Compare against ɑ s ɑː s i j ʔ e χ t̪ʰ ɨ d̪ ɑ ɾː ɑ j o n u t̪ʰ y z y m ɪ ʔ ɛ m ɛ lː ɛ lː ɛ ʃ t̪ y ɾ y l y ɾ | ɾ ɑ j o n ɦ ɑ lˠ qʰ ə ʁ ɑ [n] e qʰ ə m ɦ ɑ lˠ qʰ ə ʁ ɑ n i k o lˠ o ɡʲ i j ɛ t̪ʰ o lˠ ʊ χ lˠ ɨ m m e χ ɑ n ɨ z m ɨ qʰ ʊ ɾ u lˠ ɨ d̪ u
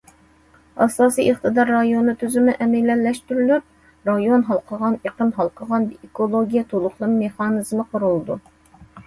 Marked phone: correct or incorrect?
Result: correct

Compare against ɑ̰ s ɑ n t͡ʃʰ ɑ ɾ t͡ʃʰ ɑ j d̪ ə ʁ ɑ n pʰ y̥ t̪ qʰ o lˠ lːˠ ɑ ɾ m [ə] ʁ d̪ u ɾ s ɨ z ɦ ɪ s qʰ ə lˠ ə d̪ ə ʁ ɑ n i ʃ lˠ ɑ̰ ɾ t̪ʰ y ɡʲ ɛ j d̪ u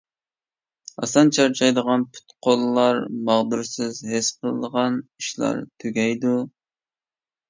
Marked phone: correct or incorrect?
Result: incorrect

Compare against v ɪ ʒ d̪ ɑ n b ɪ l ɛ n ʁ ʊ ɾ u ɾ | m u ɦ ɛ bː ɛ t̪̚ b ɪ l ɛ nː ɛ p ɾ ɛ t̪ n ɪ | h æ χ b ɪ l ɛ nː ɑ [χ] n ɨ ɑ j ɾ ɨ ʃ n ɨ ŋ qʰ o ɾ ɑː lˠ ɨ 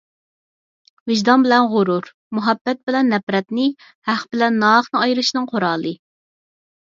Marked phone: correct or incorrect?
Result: correct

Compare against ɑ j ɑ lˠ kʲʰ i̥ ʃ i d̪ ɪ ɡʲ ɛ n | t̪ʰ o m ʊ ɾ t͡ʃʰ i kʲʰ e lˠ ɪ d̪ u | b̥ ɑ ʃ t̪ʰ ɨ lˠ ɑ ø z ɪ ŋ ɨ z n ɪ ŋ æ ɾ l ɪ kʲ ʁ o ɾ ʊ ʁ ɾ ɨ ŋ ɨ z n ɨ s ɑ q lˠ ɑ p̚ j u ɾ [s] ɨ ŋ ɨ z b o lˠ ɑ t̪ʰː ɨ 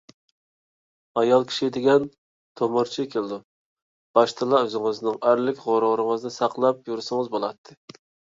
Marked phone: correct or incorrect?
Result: correct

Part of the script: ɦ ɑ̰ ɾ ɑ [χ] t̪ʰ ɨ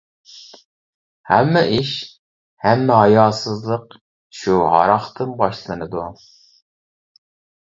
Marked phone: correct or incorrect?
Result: correct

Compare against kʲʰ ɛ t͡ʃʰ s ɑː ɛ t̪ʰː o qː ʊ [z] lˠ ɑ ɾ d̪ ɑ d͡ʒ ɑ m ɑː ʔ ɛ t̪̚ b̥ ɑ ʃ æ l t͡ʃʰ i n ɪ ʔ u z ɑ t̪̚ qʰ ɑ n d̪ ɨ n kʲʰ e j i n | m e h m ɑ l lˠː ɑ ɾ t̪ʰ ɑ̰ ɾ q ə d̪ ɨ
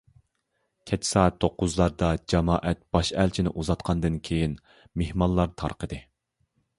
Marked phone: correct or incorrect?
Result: correct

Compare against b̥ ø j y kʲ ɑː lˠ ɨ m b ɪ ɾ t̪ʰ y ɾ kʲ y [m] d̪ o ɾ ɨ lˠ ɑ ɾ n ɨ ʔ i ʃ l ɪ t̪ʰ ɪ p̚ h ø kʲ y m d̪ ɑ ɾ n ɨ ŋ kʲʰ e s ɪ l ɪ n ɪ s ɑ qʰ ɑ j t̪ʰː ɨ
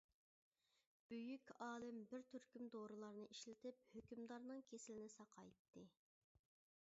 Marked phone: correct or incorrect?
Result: correct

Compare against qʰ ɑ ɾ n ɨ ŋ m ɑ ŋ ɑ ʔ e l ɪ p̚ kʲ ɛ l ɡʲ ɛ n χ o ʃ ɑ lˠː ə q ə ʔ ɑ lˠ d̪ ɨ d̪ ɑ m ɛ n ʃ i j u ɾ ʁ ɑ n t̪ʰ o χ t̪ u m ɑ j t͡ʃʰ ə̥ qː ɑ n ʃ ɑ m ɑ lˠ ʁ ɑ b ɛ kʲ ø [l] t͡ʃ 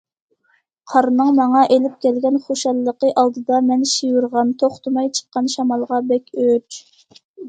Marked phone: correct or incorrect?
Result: incorrect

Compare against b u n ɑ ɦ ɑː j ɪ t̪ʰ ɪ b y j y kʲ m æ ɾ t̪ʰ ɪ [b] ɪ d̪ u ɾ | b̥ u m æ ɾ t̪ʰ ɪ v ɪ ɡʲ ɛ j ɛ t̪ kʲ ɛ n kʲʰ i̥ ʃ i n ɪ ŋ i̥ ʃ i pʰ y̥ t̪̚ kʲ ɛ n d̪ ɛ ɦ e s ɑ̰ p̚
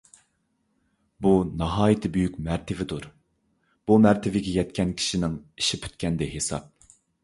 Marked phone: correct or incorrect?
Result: incorrect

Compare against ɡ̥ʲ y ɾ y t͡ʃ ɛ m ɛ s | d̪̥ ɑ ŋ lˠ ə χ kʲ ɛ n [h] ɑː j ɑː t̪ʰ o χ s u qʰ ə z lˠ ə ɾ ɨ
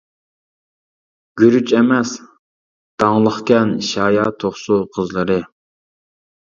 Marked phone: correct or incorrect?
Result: incorrect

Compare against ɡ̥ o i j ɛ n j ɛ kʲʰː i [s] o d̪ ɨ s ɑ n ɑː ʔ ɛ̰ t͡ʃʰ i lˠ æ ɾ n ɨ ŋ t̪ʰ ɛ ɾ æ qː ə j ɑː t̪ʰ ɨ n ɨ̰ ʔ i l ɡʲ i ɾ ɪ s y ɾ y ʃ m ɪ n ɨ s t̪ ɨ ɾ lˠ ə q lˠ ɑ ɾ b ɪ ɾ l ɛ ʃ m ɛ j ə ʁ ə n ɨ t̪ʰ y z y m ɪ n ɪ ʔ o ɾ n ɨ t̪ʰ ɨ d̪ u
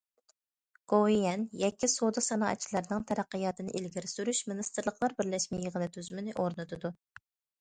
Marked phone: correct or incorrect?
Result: correct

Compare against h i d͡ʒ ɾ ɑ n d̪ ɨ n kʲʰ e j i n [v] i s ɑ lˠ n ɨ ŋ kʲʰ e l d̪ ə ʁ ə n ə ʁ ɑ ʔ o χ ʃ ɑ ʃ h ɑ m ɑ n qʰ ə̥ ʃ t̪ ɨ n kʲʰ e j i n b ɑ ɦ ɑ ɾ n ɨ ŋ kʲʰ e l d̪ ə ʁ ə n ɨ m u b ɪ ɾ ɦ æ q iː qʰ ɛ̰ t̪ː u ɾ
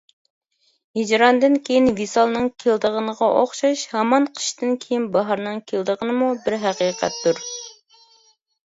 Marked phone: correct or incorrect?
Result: correct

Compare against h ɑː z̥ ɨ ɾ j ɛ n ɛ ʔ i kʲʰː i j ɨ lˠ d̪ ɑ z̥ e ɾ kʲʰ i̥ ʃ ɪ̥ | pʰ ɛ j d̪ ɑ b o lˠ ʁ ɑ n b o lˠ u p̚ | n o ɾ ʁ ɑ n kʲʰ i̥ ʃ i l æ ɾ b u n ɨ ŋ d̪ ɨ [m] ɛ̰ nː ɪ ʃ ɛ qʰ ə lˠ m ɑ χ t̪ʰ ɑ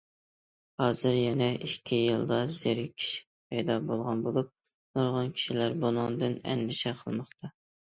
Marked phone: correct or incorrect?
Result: incorrect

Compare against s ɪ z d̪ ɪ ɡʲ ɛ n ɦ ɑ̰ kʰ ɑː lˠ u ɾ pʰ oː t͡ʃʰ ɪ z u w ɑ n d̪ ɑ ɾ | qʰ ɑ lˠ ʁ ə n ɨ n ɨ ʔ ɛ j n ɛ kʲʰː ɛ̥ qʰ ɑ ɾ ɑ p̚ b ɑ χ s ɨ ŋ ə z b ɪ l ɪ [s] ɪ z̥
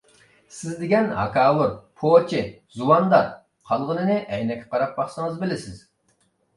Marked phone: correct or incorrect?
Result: correct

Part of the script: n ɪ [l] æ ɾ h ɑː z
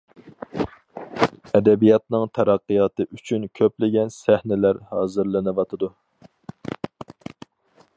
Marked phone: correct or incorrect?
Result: correct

